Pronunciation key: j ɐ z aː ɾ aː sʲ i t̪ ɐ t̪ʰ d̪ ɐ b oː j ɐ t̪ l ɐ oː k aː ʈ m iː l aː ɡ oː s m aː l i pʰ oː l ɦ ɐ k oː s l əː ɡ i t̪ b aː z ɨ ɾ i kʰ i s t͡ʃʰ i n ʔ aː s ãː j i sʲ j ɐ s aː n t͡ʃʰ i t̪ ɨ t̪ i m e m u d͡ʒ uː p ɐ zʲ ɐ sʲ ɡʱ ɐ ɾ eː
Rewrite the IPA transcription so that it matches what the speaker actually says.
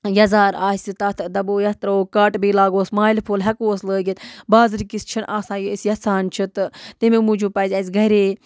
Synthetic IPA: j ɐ z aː ɾ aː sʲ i t̪ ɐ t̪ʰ d̪ ɐ b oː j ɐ t̪ ɾ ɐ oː k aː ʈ b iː l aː ɡ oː s m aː l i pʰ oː l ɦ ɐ k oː s l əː ɡ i t̪ b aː z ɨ ɾ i k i s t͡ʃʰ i n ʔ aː s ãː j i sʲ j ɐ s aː n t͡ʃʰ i t̪ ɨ t̪ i m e m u d͡ʒ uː p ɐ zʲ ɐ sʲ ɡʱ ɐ ɾ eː

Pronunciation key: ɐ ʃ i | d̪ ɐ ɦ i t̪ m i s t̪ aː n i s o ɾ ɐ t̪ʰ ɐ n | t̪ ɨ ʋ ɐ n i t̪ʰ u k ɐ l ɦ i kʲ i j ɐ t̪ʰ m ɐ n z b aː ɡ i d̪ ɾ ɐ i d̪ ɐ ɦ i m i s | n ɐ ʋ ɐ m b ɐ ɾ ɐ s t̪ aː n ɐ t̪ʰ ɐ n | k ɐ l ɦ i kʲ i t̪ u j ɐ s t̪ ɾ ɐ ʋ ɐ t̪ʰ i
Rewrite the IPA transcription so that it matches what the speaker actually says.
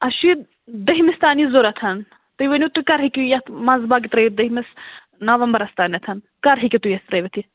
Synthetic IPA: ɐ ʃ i | d̪ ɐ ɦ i m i s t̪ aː n i z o ɾ ɐ t̪ʰ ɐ n | t̪ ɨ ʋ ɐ n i t̪ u k ɐ ɾ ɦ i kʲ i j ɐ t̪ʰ m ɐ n z b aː ɡ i t̪ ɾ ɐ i d̪ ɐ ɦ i m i s | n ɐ ʋ ɐ m b ɐ ɾ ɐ s t̪ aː n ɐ t̪ʰ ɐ n | k ɐ ɾ ɦ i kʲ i t̪ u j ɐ s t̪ ɾ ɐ ʋ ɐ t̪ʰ i

